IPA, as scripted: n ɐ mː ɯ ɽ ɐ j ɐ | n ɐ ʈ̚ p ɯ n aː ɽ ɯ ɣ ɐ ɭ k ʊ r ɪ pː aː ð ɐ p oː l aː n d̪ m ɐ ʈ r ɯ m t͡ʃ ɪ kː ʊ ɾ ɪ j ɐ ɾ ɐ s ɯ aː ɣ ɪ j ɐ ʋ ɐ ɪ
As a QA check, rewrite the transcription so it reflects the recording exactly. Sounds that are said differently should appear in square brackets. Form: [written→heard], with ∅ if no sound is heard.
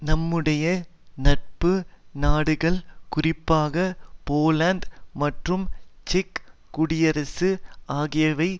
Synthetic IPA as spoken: n ɐ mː ɯ ɽ ɐ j ɐ | n ɐ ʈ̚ p ɯ n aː ɽ ɯ ɣ ɐ ɭ k ʊ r ɪ pː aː [ð→ɣ] ɐ p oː l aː n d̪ m ɐ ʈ r ɯ m t͡ʃ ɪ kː ʊ [ɾ→ɽ] ɪ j ɐ ɾ ɐ s ɯ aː ɣ ɪ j ɐ ʋ ɐ ɪ

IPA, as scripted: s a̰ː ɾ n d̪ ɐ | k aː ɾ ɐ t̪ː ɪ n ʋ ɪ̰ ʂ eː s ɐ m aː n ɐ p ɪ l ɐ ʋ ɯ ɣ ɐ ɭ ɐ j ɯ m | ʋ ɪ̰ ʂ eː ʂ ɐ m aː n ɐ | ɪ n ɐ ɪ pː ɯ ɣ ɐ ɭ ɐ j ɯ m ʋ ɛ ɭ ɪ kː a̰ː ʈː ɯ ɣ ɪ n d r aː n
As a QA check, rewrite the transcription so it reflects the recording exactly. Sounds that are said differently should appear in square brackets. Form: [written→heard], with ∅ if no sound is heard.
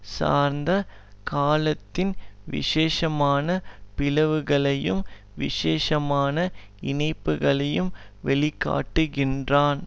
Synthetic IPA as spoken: s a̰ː ɾ n d̪ ɐ | k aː [ɾ→l] ɐ t̪ː ɪ n ʋ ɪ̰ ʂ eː [s→ʂ] ɐ m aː n ɐ p ɪ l ɐ ʋ ɯ ɣ ɐ ɭ ɐ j ɯ m | ʋ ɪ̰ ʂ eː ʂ ɐ m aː n ɐ | ɪ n ɐ ɪ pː ɯ ɣ ɐ ɭ ɐ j ɯ m ʋ ɛ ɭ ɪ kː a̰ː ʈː ɯ ɣ ɪ n d r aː n

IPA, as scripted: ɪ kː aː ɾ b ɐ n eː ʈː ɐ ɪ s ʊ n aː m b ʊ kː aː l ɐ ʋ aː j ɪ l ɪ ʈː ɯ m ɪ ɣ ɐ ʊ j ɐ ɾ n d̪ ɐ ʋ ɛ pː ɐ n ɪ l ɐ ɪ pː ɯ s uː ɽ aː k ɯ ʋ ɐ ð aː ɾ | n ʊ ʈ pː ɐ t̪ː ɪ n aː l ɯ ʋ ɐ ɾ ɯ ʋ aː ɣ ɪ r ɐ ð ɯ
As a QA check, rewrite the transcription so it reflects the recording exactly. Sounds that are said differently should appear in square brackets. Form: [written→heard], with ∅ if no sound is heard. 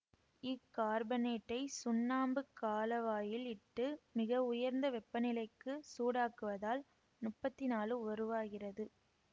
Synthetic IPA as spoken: ɪ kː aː ɾ b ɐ n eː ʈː ɐ ɪ s ʊ [n→nː] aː m b [ʊ→ɯ] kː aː l ɐ ʋ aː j ɪ l ɪ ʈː ɯ m ɪ ɣ ɐ ʊ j ɐ ɾ n d̪ ɐ ʋ ɛ pː ɐ n ɪ l ɐ ɪ [pː→kː] ɯ s uː ɽ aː k ɯ ʋ ɐ ð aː [ɾ→l] | n ʊ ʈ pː ɐ t̪ː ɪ n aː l ɯ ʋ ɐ ɾ ɯ ʋ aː ɣ ɪ r ɐ ð ɯ

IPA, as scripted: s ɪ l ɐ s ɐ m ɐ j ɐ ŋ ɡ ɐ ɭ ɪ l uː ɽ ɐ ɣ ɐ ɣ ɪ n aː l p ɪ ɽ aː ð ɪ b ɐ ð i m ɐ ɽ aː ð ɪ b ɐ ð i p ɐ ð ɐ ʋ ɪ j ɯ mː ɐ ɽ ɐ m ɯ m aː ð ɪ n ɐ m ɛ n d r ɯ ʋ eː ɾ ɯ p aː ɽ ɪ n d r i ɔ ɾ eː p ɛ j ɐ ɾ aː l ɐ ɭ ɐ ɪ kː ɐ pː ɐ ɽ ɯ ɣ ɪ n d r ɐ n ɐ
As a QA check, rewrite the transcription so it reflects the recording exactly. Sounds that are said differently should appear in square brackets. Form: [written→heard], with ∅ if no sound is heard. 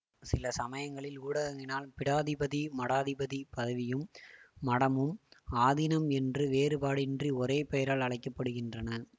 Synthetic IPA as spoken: s ɪ l ɐ s ɐ m ɐ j ɐ ŋ ɡ ɐ ɭ ɪ l uː ɽ ɐ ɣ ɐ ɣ ɪ n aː l p ɪ ɽ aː ð ɪ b ɐ ð i m ɐ ɽ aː ð ɪ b ɐ ð i p ɐ ð ɐ ʋ ɪ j ɯ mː ɐ ɽ ɐ m ɯ m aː ð ɪ n ɐ m ɛ n d r ɯ ʋ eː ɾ ɯ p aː ɽ ɪ n d r i ɔ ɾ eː p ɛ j ɐ ɾ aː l ɐ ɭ ɐ ɪ kː ɐ pː ɐ ɽ ɯ ɣ ɪ n d r ɐ n ɐ

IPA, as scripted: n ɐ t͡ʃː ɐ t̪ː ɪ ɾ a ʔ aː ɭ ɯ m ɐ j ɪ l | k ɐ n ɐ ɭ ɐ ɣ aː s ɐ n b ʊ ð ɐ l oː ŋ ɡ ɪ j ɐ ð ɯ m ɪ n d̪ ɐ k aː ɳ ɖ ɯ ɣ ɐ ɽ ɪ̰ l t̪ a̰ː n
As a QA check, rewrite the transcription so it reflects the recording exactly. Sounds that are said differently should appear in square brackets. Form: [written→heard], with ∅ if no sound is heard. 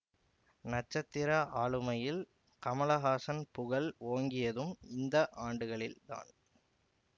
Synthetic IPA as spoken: n ɐ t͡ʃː ɐ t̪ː ɪ ɾ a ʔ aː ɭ ɯ m ɐ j ɪ l | k ɐ [n→m] ɐ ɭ ɐ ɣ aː s ɐ n [b→p] ʊ [ð→ɣ] ɐ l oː ŋ ɡ ɪ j ɐ ð ɯ m ɪ n d̪ ɐ [k→ʔ] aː ɳ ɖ ɯ ɣ ɐ [ɽ→ɭ] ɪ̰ l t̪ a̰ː n

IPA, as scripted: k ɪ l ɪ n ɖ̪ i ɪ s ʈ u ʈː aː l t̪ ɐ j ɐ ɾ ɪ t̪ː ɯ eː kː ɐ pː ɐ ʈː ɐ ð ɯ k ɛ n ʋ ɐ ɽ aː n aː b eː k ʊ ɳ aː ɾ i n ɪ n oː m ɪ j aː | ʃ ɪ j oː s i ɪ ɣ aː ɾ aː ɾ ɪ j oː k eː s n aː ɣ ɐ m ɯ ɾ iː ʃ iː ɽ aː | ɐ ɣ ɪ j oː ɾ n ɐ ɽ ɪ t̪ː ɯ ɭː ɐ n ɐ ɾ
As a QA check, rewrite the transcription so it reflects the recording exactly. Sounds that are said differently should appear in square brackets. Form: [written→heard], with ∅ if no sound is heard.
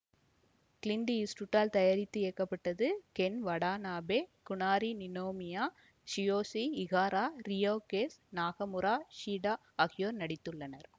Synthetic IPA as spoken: k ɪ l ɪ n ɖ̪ i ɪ s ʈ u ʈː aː l t̪ ɐ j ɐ ɾ ɪ t̪ː ɯ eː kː ɐ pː ɐ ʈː ɐ ð ɯ k ɛ n ʋ ɐ ɽ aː n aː b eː k ʊ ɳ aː ɾ i n ɪ n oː m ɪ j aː | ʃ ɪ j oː s i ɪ ɣ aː ɾ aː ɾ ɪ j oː k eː s n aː ɣ ɐ m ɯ ɾ [iː→aː] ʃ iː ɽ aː | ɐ ɣ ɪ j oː ɾ n ɐ ɽ ɪ t̪ː ɯ ɭː ɐ n ɐ ɾ

